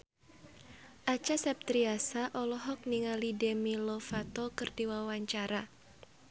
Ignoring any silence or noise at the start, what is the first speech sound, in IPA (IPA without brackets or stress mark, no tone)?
ʔ